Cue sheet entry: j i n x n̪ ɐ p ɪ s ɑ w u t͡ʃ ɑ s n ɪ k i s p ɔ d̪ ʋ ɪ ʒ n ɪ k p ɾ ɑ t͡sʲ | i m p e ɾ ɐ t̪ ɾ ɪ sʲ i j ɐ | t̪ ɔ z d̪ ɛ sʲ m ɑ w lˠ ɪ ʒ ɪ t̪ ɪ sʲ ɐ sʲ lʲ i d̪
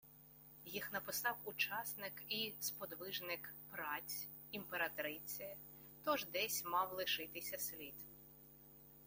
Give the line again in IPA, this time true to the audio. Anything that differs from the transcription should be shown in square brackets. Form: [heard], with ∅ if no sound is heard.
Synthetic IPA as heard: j i [∅] x n̪ ɐ p ɪ s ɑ w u t͡ʃ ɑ s n ɪ k i s p ɔ d̪ ʋ ɪ ʒ n ɪ k p ɾ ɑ t͡sʲ | i m p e ɾ ɐ t̪ ɾ ɪ [t͡sʲ] i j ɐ | t̪ ɔ [ʒ] d̪ ɛ sʲ m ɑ w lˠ ɪ [ʃ] ɪ t̪ ɪ sʲ ɐ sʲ lʲ i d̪

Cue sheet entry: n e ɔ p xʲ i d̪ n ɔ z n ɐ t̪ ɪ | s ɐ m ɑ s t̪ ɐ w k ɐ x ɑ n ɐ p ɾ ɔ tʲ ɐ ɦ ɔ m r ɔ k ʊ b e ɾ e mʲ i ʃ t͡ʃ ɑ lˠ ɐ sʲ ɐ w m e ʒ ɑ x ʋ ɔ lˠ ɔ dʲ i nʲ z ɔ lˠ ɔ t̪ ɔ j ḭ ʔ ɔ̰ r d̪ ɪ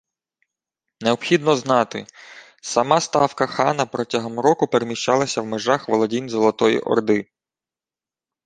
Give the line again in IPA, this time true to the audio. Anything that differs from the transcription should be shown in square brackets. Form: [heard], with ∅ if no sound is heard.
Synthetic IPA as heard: n e ɔ p xʲ i d̪ n ɔ z n [ɑ] t̪ ɪ | s ɐ m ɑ s t̪ [ɑ] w k ɐ x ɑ n ɐ p ɾ ɔ tʲ ɐ ɦ ɔ m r ɔ k ʊ [p] e ɾ e mʲ i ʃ t͡ʃ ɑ lˠ ɐ sʲ ɐ w m e ʒ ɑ x ʋ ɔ lˠ ɔ dʲ i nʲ z ɔ lˠ ɔ t̪ ɔ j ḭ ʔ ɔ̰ r d̪ ɪ

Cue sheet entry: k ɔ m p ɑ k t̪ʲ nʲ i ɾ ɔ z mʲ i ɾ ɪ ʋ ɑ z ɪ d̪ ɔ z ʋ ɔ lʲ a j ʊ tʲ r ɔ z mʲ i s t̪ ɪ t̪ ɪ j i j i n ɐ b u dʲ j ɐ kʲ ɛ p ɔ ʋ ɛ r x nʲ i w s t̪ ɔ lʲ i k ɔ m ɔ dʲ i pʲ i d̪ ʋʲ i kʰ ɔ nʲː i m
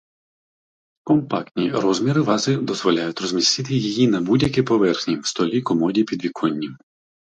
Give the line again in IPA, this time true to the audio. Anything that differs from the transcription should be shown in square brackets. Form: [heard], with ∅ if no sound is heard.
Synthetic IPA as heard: k ɔ m p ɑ k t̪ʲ nʲ i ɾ ɔ z mʲ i ɾ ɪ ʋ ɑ z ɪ d̪ ɔ z ʋ ɔ lʲ a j ʊ tʲ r ɔ z mʲ i s t̪ ɪ t̪ ɪ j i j i n ɐ b u dʲ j ɐ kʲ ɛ p ɔ ʋ ɛ r x nʲ i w s t̪ ɔ lʲ i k ɔ m ɔ dʲ i pʲ i d̪ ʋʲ i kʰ ɔ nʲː i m

